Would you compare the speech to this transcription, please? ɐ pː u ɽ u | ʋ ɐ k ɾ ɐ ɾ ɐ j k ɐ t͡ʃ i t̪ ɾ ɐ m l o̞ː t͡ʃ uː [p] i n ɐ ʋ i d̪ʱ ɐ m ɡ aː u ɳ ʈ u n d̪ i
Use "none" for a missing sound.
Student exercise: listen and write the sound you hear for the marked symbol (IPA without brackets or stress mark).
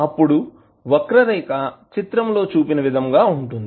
p